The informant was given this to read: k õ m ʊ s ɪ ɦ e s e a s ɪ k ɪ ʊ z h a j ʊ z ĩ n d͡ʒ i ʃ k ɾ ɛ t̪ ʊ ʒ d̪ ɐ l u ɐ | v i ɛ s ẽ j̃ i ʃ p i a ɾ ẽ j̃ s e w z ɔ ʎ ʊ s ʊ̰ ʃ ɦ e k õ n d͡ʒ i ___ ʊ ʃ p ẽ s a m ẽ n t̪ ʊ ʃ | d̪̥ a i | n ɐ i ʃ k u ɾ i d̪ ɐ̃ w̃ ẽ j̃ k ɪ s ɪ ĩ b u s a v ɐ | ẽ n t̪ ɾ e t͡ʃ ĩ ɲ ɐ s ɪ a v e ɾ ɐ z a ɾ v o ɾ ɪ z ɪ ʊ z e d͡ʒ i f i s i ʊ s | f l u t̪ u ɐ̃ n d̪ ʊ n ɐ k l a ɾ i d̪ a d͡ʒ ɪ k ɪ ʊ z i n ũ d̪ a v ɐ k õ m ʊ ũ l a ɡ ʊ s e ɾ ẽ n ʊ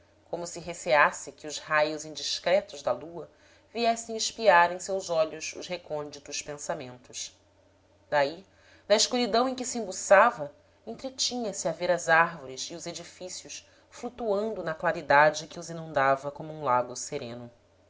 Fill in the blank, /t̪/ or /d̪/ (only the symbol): t̪